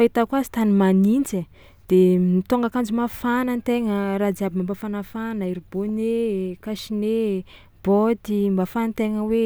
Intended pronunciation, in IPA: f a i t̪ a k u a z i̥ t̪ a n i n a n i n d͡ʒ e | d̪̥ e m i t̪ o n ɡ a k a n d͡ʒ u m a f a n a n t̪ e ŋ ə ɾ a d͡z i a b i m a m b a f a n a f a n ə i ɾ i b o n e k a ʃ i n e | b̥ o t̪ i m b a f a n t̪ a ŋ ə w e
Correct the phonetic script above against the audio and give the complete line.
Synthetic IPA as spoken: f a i t̪ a k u a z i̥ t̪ a n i m a n i n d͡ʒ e | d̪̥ e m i t̪ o ŋ ɡ a k a n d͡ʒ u m a f a n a n t̪ e ŋ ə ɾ a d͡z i a b i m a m b a f a n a f a n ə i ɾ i b o n e k a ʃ i n e | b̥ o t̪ i m b a f a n t̪ e ŋ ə w e